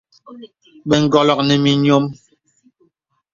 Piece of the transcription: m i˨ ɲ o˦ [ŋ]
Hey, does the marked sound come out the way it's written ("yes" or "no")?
no